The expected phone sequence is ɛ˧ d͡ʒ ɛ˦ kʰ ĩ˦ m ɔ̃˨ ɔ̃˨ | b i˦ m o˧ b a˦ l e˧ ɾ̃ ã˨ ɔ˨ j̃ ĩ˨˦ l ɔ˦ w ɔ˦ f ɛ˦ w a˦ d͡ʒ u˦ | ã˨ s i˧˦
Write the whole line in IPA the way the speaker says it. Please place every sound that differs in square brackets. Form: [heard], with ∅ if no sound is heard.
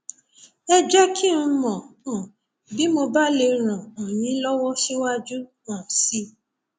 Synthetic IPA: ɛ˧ d͡ʒ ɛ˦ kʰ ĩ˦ m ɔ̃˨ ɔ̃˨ | b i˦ m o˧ b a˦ l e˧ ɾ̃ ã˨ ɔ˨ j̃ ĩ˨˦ l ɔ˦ w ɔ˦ [ʃ] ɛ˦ w a˦ d͡ʒ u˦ | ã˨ s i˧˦